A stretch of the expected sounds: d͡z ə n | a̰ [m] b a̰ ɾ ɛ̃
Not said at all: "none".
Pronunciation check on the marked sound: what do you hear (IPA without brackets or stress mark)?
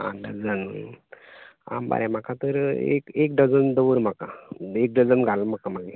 m